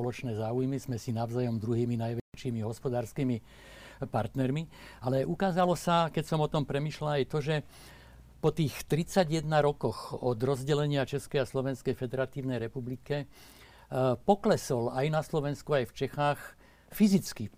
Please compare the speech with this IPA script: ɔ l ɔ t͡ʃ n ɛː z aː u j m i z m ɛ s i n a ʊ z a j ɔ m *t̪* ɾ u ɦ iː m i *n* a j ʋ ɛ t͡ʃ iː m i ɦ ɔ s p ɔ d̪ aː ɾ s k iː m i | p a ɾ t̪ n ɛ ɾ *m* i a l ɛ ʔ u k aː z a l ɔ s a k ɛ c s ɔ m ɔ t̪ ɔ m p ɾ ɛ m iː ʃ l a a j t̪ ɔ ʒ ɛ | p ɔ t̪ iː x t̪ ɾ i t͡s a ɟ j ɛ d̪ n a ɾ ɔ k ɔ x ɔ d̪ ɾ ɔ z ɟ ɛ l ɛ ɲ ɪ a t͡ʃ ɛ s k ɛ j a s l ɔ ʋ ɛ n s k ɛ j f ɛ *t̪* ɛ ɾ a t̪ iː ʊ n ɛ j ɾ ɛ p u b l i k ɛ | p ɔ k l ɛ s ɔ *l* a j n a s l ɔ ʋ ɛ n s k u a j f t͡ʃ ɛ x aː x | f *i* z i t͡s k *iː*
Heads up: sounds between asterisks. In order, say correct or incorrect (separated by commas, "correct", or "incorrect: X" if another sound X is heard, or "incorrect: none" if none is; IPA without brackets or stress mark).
incorrect: d̪, correct, correct, incorrect: d̪, correct, correct, incorrect: i